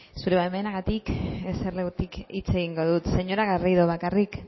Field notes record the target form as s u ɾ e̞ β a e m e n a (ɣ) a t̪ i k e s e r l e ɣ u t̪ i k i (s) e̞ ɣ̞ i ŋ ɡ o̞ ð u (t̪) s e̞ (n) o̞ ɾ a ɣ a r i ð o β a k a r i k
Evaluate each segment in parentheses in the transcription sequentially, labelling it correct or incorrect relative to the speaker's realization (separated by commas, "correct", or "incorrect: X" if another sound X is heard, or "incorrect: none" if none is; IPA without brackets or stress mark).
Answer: correct, incorrect: t͡s, correct, incorrect: ɲ